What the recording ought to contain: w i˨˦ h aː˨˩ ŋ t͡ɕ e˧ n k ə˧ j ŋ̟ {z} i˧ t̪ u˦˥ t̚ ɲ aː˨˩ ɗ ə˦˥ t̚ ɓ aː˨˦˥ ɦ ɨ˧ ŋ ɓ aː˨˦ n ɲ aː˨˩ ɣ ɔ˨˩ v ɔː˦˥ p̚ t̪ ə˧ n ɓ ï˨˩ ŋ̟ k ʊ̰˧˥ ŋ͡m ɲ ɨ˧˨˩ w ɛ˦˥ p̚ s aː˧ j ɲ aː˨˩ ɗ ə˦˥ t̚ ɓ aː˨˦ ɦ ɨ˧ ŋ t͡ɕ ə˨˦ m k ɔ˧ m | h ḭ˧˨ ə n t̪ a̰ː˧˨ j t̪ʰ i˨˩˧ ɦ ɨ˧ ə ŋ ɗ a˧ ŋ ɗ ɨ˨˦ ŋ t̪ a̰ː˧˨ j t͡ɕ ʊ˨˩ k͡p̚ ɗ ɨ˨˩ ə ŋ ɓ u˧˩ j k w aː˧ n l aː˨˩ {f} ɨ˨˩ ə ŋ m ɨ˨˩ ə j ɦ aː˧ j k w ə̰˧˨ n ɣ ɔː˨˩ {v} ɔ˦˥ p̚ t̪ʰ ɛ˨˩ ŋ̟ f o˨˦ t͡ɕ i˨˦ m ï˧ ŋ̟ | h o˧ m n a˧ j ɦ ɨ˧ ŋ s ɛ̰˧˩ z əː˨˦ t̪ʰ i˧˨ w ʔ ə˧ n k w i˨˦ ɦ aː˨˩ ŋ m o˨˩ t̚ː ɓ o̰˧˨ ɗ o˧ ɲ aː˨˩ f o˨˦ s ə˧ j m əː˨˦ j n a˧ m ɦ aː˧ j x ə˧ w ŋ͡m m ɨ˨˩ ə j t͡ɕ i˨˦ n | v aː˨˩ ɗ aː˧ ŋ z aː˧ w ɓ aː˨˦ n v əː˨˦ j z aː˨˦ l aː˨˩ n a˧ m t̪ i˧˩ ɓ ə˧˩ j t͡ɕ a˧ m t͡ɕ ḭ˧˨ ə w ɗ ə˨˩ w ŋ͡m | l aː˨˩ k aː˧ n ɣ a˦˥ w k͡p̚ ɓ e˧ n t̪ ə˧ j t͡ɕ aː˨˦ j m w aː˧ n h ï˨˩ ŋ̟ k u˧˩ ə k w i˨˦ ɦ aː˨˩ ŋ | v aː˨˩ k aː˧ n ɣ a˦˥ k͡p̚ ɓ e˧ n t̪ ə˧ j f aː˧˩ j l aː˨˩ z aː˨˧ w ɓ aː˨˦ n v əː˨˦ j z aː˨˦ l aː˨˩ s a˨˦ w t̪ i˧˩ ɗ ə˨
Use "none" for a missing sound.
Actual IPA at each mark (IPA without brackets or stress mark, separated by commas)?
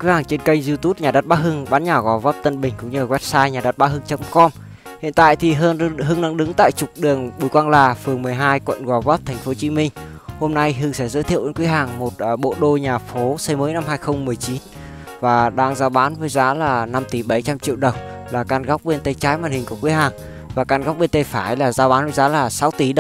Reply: z, f, v